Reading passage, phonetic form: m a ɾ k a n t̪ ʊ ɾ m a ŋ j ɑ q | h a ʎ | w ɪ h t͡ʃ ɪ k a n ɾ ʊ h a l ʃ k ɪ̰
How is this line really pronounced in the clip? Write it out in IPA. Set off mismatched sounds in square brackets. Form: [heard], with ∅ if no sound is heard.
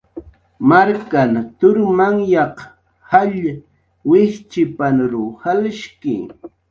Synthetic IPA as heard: m a ɾ k a n t̪ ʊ ɾ m a ŋ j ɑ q | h a ʎ | w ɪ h t͡ʃ ɪ [p] a n ɾ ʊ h a l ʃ k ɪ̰